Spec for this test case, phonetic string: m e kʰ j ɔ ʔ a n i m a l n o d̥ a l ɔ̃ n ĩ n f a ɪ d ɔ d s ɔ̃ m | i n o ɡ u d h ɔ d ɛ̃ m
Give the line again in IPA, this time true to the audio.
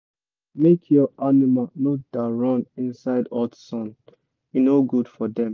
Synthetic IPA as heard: m e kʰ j ɔ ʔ a n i m a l n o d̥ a ɹ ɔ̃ n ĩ n s a ɪ d ɔ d s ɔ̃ n | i n o ɡ u d f ɔ d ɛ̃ m